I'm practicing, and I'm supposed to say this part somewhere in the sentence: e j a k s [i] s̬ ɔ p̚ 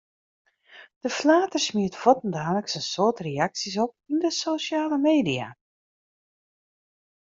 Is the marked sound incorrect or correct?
correct